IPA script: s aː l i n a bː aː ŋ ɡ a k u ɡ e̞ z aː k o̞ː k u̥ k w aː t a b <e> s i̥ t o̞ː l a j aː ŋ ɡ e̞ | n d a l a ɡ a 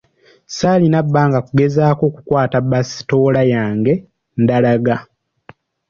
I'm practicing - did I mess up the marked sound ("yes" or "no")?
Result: yes